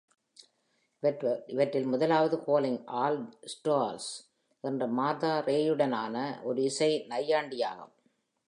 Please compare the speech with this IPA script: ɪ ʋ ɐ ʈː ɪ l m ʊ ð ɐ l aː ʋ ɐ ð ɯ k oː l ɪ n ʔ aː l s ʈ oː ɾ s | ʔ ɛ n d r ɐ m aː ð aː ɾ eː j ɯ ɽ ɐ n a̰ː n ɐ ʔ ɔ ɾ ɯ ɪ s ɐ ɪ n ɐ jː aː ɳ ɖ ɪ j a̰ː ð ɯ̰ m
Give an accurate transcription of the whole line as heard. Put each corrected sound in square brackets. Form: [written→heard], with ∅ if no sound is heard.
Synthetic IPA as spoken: ɪ ʋ ɐ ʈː ɪ l m ʊ ð ɐ l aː ʋ ɐ ð ɯ k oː l ɪ [n→ŋ] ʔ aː l s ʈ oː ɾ s | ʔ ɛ n d r ɐ m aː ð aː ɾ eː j ɯ ɽ ɐ n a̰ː n ɐ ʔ ɔ ɾ ɯ ɪ s ɐ ɪ n ɐ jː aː ɳ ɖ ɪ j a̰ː [ð→ɣ] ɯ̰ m